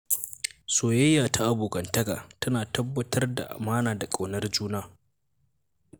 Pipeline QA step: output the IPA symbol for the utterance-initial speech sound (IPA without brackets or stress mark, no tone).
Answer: s